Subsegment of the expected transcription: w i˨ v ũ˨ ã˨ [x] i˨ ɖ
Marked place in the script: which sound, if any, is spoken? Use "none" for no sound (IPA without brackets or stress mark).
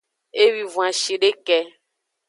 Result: ʃ